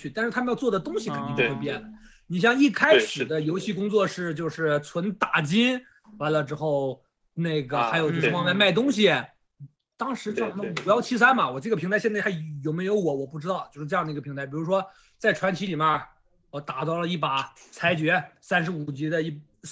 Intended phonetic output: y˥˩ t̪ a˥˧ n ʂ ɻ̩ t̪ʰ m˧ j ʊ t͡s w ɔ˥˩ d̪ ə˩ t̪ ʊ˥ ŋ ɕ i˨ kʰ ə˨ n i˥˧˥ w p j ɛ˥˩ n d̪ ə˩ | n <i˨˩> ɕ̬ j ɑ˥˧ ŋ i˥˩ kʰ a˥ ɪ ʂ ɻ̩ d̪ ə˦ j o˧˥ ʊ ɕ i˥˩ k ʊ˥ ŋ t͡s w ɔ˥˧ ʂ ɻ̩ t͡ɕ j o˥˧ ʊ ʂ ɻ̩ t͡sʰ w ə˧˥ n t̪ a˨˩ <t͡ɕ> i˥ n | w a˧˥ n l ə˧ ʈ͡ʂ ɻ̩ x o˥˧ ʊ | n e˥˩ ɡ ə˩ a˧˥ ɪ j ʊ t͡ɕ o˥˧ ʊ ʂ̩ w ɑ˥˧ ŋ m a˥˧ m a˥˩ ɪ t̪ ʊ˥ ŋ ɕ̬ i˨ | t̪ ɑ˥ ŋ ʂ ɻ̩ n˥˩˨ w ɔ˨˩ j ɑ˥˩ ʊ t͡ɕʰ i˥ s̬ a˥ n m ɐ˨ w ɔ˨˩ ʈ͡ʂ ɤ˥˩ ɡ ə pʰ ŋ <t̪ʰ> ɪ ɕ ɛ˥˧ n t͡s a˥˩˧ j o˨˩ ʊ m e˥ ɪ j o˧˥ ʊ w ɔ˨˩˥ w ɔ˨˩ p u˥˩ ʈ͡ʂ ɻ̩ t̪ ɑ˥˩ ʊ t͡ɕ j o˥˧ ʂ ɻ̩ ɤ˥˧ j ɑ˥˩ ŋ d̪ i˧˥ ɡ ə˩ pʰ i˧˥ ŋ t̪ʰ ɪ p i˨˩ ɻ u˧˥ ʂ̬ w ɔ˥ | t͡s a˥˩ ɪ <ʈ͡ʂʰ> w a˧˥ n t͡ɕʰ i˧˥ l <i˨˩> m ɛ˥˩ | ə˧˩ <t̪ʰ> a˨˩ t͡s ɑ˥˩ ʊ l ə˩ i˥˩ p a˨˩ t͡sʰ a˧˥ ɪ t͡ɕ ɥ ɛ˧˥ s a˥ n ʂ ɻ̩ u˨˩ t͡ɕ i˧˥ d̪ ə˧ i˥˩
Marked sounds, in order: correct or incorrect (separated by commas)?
correct, correct, correct, correct, correct, incorrect